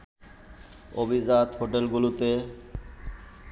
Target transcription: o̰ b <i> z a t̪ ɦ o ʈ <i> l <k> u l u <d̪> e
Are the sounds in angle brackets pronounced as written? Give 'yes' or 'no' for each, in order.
yes, no, no, no

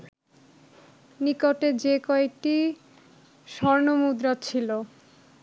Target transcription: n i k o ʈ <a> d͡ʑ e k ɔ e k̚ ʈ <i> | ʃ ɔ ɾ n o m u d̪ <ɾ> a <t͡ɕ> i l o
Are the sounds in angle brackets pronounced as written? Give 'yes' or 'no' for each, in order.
no, yes, yes, no

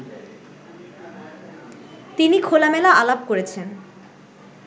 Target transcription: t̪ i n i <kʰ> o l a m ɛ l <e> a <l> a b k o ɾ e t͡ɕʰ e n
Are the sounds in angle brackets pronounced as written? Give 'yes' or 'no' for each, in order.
yes, no, yes

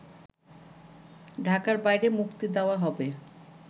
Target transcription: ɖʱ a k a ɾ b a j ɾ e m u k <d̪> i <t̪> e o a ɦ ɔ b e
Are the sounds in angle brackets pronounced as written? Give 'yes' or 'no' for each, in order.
no, no

